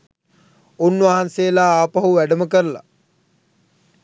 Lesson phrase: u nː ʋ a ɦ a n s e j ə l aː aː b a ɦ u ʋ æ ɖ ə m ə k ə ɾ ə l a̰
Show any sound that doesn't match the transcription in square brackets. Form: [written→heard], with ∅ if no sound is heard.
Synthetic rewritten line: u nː ʋ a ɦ a n s e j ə l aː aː [b→p] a ɦ u ʋ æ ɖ ə m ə k ə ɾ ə l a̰